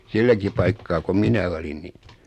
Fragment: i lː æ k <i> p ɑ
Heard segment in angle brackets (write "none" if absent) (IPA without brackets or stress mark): i